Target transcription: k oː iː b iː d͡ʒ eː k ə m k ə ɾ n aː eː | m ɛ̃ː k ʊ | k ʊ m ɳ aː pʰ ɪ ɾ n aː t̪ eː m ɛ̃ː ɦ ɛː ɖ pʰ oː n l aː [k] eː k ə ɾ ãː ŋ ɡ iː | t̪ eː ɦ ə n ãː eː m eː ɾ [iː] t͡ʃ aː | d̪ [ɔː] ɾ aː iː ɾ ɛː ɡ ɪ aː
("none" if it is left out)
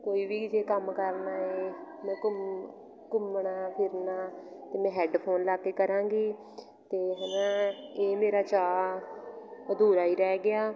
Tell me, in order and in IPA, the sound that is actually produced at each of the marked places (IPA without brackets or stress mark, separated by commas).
k, aː, uː